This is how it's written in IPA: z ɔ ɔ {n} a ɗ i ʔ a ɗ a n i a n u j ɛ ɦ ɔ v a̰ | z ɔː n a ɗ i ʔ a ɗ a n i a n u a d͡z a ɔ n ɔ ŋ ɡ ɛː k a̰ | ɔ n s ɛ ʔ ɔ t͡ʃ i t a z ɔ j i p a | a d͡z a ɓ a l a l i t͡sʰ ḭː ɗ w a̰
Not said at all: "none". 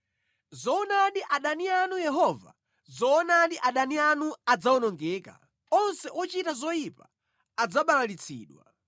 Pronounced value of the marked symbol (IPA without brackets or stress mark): n